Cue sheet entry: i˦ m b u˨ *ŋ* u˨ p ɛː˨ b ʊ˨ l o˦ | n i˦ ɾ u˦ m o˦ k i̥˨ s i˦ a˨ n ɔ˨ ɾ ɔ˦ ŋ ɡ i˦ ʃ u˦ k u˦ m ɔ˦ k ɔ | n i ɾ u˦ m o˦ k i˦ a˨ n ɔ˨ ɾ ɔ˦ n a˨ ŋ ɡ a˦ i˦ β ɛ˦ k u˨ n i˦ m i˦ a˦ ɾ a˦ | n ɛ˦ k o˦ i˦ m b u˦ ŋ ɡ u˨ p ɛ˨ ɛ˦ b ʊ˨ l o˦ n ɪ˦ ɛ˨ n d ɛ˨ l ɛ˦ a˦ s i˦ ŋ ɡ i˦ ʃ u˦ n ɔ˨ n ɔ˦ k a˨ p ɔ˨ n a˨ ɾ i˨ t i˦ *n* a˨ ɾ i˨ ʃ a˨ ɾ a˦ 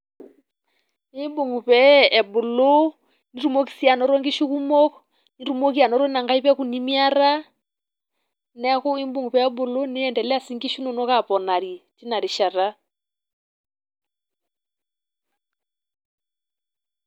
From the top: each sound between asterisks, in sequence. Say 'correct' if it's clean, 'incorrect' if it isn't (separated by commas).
correct, correct